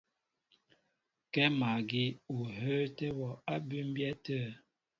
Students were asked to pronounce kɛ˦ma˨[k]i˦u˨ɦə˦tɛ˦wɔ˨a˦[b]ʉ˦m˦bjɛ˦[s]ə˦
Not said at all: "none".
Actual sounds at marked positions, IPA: ɡ, b, t

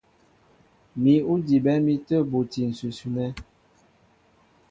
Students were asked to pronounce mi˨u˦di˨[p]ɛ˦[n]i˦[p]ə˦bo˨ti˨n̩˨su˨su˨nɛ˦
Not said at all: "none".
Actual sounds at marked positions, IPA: b, m, t

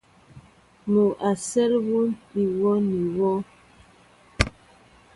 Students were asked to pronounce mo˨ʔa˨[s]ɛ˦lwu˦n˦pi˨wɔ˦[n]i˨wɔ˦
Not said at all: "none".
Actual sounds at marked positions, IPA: s, n

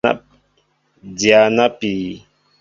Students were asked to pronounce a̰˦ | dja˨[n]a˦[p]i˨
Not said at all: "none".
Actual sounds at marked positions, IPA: n, p

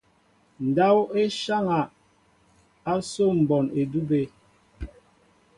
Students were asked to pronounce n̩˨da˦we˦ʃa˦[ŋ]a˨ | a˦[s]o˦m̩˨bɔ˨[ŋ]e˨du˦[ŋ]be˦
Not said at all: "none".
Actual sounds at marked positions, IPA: ŋ, s, n, none

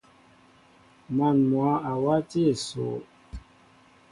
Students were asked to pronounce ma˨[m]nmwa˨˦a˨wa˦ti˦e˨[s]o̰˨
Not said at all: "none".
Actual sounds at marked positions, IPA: none, s

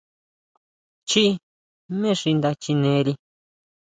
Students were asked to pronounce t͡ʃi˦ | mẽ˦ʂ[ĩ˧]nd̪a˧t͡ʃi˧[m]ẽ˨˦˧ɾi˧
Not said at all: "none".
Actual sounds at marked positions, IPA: i˧, n

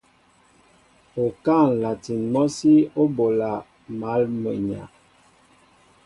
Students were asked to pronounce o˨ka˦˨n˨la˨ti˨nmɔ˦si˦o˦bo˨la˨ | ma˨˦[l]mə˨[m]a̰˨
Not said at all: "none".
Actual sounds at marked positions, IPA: l, ɲ

